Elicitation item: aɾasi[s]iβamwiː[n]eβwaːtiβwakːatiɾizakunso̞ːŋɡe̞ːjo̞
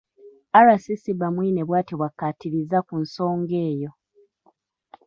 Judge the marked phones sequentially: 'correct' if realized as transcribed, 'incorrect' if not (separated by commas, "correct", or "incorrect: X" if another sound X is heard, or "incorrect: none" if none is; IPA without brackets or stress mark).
correct, correct